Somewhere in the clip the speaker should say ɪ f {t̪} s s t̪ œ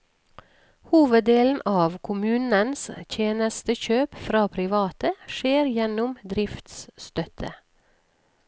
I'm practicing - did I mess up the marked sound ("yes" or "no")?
no